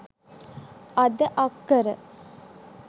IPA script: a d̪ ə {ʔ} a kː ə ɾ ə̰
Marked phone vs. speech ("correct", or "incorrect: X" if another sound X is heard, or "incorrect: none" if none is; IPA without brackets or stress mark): correct